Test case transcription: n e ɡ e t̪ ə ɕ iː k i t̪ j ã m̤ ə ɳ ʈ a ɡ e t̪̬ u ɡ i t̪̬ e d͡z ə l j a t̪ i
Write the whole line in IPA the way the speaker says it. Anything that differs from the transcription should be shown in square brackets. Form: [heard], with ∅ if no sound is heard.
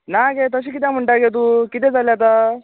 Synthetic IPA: n [a] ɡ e t̪ ə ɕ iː k i t̪ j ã m̤ ə ɳ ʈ a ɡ e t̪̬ u [k] i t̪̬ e d͡z [a] l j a t̪ [a]